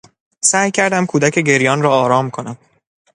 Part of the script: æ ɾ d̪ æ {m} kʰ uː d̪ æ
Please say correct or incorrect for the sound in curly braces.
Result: correct